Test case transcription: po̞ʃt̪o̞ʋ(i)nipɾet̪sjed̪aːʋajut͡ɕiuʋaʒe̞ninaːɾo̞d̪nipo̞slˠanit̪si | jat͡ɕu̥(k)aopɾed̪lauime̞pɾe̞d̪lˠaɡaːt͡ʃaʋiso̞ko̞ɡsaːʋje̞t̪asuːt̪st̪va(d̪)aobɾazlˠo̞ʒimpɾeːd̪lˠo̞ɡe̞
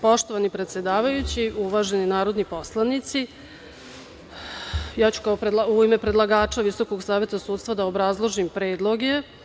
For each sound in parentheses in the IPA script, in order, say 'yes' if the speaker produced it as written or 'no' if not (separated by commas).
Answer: no, yes, yes